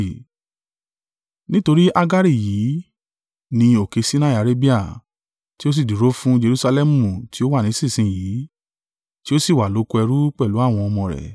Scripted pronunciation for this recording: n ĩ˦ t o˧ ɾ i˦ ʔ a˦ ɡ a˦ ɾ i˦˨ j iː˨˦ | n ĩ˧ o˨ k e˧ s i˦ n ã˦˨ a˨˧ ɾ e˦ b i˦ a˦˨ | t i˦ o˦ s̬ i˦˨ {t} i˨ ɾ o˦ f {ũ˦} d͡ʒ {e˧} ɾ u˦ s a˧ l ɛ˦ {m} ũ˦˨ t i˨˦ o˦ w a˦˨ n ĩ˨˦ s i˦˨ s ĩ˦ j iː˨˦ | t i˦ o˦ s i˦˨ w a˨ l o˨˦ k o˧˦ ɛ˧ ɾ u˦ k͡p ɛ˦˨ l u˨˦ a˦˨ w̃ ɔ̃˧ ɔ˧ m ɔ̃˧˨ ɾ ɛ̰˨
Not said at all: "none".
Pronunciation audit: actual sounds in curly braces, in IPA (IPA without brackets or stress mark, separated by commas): d, ũ˦, e˧, m